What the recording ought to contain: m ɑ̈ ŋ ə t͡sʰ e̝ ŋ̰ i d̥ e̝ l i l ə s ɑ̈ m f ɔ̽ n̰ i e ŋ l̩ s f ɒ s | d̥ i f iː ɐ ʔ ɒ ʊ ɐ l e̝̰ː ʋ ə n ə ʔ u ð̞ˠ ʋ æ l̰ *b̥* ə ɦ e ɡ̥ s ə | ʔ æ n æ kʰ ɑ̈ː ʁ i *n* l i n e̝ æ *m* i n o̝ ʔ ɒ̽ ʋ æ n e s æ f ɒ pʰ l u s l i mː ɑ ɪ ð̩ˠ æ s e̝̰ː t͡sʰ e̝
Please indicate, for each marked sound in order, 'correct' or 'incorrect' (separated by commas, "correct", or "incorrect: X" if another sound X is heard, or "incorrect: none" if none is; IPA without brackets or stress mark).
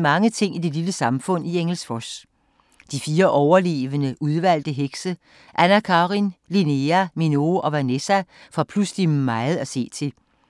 incorrect: d̥, correct, correct